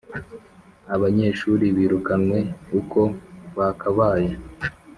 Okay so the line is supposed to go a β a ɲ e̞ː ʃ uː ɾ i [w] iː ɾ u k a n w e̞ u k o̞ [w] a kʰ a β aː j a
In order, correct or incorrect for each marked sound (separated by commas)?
incorrect, incorrect